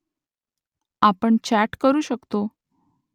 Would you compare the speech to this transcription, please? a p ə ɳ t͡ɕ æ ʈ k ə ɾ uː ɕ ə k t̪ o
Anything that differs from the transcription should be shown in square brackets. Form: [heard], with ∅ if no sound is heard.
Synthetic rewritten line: a p ə ɳ t͡ɕ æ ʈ k ə ɾ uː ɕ ə k t̪ o